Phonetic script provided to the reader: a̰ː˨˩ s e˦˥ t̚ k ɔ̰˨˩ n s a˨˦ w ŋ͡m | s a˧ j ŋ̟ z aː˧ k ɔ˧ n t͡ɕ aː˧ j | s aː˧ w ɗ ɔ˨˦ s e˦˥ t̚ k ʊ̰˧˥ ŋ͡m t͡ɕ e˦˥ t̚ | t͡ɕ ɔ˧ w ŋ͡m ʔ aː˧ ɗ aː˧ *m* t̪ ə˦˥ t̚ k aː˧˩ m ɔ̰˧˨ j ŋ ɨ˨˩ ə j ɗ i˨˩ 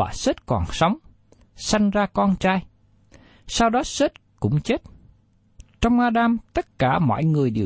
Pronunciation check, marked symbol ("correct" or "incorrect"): correct